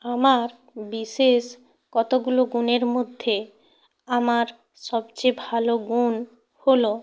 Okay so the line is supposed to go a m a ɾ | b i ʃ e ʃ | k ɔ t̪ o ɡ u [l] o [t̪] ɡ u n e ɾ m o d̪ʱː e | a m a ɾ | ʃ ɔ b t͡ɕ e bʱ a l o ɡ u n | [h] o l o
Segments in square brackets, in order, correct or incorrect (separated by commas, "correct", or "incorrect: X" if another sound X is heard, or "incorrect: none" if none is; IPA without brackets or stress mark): correct, incorrect: none, correct